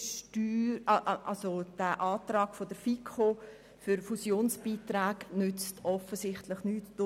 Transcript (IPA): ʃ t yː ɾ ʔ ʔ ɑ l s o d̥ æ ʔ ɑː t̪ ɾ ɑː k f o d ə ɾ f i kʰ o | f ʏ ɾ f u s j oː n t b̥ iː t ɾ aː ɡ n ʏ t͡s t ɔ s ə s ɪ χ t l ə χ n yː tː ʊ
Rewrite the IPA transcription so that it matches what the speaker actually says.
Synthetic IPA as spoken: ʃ t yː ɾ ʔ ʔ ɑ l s o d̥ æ ʔ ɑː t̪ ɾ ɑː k f o d ə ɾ f i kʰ o | f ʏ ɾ f u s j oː n s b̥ iː t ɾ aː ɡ n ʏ t͡s t ɔ f ə s ɪ χ t l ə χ n yː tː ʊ

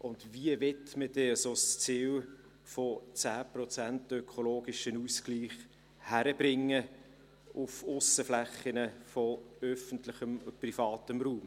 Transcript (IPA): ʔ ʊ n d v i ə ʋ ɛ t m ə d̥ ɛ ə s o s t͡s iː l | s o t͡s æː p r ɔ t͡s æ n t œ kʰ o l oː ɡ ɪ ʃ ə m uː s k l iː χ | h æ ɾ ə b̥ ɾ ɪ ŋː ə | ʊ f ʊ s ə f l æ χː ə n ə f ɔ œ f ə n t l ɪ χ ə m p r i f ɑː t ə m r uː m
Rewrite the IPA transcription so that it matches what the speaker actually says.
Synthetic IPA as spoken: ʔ ʊ n d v i ə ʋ ɛ t m ə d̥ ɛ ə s o s t͡s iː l | f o t͡s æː p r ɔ t͡s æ n t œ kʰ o l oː ɡ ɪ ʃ ə n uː s k l iː χ | h æ ɾ ə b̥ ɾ ɪ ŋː ə | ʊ f ʊ s ə f l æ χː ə n ə f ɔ œ f ə n t l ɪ χ ə m p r i f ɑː t ə m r uː m

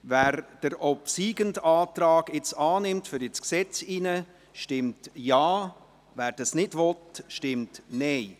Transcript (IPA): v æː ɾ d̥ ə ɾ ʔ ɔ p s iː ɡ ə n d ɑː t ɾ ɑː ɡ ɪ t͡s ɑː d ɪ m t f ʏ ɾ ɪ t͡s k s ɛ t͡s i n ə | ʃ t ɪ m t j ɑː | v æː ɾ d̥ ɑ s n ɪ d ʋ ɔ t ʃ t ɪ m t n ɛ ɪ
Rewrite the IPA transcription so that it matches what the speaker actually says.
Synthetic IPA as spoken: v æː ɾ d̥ ə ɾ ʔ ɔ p s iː ɡ ə n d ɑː t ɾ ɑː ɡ ɪ t͡s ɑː n ɪ m t f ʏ ɾ ɪ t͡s k s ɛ t͡s i n ə | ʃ t ɪ m t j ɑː | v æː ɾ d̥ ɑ s n ɪ d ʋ ɔ t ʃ t ɪ m t n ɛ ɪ

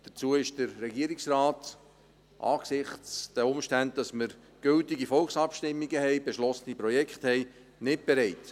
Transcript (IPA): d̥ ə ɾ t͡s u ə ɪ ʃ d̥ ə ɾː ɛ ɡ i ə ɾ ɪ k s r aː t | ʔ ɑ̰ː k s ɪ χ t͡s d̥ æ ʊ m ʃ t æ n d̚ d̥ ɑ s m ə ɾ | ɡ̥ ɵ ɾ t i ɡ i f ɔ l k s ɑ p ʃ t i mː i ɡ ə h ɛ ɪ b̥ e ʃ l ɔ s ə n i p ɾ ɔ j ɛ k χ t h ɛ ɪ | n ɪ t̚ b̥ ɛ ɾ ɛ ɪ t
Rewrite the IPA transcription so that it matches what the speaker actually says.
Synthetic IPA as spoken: d̥ ə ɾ t͡s u ə ɪ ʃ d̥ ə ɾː ɛ ɡ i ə ɾ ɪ k s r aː t | ʔ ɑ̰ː k s ɪ χ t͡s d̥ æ ʊ m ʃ t æ n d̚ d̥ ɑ s m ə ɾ | ɡ̥ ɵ l t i ɡ i f ɔ l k s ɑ p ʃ t ɪ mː i ɡ ə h ɛ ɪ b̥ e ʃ l ɔ s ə n i p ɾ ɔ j ɛ k χ t h ɛ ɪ | n ɪ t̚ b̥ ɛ ɾ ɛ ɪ t

